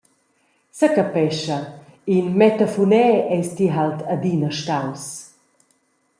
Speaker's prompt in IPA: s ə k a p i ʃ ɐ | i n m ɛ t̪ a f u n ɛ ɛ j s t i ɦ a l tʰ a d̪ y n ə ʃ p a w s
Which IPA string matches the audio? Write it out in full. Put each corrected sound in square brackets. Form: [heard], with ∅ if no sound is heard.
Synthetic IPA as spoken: s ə k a p [ɛ] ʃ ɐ | i n m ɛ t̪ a f u n ɛ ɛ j s t i ɦ a l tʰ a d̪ [i] n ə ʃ [t] a w s